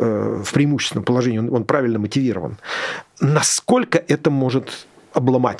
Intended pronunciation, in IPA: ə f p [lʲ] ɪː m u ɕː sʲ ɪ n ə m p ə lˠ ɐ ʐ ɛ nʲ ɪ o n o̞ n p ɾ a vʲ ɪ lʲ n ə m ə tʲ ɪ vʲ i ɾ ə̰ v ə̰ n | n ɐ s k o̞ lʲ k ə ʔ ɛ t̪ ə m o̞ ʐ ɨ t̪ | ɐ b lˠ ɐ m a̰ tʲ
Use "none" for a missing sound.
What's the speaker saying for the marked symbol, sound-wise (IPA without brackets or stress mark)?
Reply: ɾʲ